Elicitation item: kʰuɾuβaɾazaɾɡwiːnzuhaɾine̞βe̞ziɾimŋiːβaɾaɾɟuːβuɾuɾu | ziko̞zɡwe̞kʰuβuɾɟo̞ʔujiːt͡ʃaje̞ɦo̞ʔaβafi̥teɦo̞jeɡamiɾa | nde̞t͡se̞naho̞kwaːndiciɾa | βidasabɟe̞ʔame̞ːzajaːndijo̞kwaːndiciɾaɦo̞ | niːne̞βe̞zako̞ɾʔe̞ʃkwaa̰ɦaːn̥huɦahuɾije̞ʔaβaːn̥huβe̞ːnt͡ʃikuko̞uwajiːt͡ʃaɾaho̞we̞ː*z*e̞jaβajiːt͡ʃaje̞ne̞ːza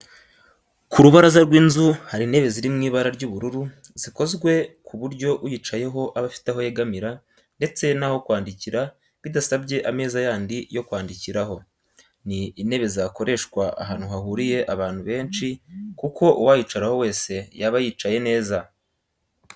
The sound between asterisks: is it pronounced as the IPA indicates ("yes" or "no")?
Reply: no